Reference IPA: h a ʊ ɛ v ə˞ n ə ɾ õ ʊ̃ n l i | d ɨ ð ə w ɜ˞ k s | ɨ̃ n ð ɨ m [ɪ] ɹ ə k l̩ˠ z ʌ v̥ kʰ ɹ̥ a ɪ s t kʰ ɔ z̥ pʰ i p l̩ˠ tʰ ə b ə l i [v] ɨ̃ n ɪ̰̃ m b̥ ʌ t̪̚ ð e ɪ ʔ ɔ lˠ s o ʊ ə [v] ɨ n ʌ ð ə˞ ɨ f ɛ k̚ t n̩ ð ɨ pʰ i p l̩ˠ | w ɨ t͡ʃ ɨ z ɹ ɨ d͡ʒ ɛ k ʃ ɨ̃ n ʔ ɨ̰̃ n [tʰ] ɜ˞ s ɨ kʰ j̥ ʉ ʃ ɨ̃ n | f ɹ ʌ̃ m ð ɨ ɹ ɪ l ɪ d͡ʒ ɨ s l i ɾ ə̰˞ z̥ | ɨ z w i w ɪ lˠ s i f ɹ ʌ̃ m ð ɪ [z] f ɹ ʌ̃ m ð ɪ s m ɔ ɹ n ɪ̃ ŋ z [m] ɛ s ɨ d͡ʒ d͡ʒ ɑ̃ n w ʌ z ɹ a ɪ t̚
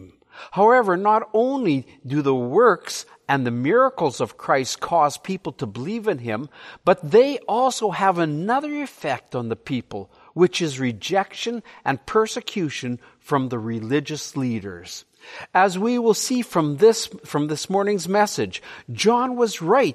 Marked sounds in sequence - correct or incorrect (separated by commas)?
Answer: correct, correct, correct, incorrect, incorrect, correct